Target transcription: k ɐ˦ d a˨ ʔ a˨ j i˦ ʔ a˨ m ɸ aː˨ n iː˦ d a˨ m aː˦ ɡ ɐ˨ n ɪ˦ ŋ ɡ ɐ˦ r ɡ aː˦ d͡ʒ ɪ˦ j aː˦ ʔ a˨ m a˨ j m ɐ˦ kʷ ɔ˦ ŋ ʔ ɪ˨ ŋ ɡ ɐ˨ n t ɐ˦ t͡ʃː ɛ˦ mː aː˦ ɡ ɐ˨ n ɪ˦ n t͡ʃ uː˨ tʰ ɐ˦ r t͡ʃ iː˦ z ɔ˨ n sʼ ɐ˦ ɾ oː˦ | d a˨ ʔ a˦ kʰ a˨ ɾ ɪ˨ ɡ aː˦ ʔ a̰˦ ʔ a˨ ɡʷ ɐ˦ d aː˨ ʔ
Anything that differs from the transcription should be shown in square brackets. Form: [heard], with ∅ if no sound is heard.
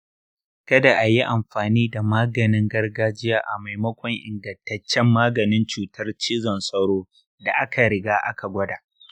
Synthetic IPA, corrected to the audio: k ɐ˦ d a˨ ʔ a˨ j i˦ ʔ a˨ m ɸ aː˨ n iː˦ d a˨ m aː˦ ɡ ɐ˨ n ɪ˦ ŋ ɡ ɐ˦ r ɡ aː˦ d͡ʒ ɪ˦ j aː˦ ʔ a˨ m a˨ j m ɐ˦ kʷ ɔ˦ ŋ ʔ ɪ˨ ŋ ɡ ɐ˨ n t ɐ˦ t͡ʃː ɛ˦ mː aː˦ ɡ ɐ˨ n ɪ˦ n t͡ʃ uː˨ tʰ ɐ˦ r t͡ʃ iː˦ z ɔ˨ n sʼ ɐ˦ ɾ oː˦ | d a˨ ʔ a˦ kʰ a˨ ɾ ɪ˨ ɡ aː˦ ʔ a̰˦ [k] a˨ ɡʷ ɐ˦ d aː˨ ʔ

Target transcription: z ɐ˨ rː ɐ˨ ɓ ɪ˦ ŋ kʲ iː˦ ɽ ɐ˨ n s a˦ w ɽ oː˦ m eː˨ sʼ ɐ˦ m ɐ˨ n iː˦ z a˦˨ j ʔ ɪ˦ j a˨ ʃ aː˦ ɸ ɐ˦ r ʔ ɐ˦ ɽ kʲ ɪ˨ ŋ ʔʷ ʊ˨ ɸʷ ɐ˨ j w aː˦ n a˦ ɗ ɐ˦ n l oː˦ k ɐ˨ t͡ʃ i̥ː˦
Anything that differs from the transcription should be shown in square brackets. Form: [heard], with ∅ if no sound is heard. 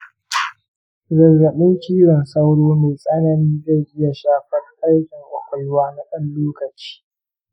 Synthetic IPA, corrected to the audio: z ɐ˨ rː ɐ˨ ɓ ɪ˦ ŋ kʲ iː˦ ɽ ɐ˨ n s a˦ w ɽ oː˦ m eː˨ sʼ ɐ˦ [n] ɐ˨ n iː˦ z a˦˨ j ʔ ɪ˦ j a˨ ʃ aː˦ ɸ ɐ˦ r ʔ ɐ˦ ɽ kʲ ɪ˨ ŋ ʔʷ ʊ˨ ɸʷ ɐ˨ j w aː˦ n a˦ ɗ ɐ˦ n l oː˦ k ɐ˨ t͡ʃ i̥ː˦

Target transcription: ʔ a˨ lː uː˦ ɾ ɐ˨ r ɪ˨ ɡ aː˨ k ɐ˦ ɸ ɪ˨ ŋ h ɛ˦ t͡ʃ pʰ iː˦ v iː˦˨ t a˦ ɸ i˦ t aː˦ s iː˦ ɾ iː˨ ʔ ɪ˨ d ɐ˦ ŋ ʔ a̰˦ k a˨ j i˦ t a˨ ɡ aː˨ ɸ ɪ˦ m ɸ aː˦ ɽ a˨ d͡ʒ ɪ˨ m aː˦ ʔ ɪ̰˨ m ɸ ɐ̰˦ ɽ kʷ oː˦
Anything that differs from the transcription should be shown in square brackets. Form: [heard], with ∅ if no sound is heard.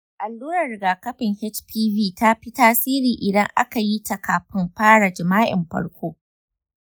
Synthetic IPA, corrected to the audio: ʔ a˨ lː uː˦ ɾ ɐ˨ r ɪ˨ ɡ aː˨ k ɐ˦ ɸ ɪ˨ ŋ h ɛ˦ t͡ʃ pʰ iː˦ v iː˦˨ t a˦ ɸ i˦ t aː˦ s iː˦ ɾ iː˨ ʔ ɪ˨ d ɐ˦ ŋ ʔ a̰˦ k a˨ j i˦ t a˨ [k] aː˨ ɸ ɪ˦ m ɸ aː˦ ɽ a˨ d͡ʒ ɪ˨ m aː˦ ʔ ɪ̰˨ m ɸ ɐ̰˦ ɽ kʷ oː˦

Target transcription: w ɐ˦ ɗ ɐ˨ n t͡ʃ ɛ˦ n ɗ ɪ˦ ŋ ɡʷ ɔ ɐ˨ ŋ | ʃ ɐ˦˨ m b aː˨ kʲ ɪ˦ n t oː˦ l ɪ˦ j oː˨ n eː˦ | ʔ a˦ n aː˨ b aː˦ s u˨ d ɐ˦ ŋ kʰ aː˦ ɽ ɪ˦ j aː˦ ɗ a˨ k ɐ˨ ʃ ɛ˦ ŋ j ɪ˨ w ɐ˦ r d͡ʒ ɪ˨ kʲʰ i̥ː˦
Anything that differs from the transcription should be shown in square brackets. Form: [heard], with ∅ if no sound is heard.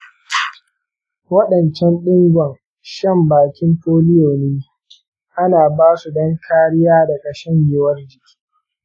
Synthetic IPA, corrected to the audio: w ɐ˦ ɗ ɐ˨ n t͡ʃ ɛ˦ n ɗ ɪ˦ ŋ ɡʷ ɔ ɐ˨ ŋ | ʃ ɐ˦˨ m b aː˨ kʲ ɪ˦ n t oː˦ l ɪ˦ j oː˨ n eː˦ | ʔ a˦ n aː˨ b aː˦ s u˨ d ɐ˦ ŋ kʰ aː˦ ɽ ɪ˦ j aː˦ [d] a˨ k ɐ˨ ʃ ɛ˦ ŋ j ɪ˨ w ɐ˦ r d͡ʒ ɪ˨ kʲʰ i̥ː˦

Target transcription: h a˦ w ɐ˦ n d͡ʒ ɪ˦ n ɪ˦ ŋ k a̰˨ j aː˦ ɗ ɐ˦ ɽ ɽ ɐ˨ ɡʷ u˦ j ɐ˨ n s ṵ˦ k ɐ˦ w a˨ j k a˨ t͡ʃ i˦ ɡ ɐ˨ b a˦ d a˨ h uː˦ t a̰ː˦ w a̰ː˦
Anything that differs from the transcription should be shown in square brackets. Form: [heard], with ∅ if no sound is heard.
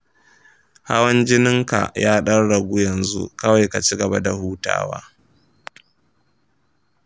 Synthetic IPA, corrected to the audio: h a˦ w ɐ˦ n d͡ʒ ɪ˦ n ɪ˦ ŋ k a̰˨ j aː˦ ɗ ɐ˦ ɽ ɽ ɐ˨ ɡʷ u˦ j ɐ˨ n [z] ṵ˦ k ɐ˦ w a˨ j k a˨ t͡ʃ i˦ ɡ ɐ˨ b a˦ d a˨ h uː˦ t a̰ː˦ w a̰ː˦

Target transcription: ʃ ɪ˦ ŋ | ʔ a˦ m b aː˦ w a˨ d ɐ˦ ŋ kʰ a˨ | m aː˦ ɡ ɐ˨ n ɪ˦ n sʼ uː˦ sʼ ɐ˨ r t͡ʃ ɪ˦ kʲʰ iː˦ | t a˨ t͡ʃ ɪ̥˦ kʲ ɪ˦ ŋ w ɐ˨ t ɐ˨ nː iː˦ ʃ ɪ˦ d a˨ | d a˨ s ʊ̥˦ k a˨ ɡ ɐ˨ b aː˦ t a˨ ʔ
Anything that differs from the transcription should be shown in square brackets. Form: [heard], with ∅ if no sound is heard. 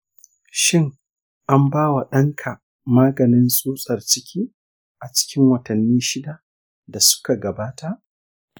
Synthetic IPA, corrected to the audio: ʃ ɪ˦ ŋ | ʔ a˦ m b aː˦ w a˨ [ɗ] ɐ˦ ŋ kʰ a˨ | m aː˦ ɡ ɐ˨ n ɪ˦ n sʼ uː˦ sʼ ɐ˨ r t͡ʃ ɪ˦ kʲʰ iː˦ | [ʔ] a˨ t͡ʃ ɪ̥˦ kʲ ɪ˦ ŋ w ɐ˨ t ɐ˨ nː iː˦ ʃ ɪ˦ d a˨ | d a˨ s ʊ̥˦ k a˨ ɡ ɐ˨ b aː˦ t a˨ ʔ

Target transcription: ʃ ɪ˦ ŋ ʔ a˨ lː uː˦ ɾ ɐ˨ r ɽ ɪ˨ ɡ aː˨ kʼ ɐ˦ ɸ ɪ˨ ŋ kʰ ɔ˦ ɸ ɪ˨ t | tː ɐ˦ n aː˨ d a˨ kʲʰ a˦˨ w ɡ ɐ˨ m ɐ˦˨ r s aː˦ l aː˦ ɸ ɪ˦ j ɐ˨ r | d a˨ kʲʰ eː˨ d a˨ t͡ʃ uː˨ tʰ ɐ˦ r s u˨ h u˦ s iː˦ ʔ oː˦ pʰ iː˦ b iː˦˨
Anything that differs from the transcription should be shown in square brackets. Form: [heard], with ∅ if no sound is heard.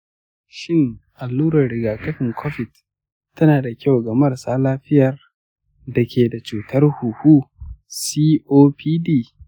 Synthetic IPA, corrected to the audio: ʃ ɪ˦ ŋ ʔ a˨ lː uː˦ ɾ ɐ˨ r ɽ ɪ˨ ɡ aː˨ kʼ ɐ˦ ɸ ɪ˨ ŋ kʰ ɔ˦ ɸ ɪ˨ t | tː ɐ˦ n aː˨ d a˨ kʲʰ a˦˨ w ɡ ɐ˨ m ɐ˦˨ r s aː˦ l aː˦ ɸ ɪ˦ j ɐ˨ r | d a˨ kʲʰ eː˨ d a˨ t͡ʃ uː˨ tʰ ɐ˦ r [h] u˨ h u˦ s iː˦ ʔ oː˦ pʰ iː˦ [d] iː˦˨

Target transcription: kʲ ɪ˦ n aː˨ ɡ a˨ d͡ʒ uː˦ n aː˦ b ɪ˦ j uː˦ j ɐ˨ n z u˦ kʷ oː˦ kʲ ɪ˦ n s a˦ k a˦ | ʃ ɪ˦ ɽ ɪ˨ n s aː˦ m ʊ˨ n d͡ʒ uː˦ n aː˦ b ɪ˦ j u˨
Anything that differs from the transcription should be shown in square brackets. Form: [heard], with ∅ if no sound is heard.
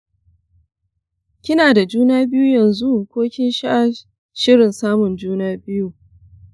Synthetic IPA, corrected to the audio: kʲ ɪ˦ n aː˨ [d] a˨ d͡ʒ uː˦ n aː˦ b ɪ˦ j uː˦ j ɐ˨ n z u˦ kʷ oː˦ kʲ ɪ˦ n [ʃ] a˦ [ʔ] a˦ | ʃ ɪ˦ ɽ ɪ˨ n s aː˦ m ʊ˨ n d͡ʒ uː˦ n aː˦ b ɪ˦ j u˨

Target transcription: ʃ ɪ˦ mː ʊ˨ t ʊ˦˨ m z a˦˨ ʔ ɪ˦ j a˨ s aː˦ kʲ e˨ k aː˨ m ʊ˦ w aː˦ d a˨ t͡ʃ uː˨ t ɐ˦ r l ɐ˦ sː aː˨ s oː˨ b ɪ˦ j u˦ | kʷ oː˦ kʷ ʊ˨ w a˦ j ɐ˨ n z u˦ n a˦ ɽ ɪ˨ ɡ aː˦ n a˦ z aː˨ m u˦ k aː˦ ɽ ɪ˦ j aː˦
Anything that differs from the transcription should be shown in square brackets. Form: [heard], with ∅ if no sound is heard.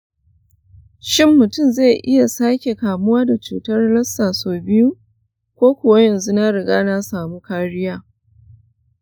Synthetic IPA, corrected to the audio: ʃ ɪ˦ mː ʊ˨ t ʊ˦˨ m z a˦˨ ʔ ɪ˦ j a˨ s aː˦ kʲ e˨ k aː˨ m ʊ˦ w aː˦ d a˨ t͡ʃ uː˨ t ɐ˦ r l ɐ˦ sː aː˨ s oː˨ b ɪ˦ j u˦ | kʷ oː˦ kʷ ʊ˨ w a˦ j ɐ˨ n z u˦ n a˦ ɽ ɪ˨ ɡ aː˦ n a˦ [s] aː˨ m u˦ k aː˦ ɽ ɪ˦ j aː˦

